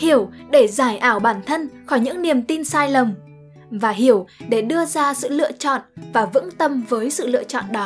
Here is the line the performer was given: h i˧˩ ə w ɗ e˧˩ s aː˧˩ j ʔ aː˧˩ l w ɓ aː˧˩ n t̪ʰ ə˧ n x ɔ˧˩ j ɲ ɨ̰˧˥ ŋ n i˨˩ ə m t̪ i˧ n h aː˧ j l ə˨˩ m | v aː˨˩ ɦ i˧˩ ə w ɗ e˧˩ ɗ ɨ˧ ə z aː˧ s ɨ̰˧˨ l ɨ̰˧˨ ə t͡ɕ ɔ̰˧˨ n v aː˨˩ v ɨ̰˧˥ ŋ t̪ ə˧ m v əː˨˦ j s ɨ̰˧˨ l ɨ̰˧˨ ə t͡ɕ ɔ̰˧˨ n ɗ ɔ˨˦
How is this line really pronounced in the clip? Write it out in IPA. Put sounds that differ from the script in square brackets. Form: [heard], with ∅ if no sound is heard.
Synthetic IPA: h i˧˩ ə w ɗ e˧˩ [z] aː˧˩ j ʔ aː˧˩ [∅] w ɓ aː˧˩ n t̪ʰ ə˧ n x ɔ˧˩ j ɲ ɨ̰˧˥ ŋ n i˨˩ ə m t̪ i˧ n [s] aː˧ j l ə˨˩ m | v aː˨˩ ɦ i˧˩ ə w ɗ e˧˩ ɗ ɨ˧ ə z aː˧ s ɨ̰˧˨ l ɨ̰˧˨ ə t͡ɕ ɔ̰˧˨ n v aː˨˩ v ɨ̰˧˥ ŋ t̪ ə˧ m v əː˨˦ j s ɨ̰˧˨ l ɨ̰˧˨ ə t͡ɕ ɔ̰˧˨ n ɗ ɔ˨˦